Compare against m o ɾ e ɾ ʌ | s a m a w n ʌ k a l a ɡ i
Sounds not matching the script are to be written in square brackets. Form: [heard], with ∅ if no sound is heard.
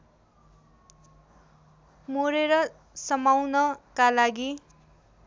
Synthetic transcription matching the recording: m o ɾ e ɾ ʌ | s [ʌ] m a w n ʌ k a l a ɡ i